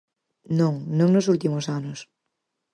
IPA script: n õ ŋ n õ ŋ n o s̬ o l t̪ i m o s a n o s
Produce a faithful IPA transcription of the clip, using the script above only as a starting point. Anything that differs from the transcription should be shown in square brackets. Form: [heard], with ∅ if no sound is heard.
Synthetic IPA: n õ ŋ n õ ŋ n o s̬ [u] l t̪ i m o s a n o s